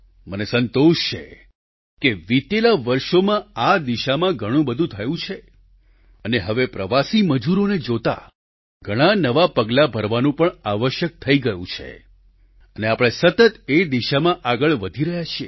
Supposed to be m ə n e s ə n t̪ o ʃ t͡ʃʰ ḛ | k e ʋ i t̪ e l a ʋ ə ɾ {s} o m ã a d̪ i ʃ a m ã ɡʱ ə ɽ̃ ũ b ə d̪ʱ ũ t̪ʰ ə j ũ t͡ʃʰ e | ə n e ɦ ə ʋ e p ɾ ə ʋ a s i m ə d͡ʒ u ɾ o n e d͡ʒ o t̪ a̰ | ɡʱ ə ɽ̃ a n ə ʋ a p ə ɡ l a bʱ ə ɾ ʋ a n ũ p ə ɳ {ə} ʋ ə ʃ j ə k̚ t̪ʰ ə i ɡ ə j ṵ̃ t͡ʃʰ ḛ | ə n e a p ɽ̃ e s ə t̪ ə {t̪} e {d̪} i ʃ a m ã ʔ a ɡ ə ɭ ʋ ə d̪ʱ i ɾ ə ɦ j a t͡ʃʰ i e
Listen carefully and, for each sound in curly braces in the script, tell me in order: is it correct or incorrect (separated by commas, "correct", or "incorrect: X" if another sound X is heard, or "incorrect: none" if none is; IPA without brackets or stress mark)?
incorrect: ʃ, incorrect: a, correct, correct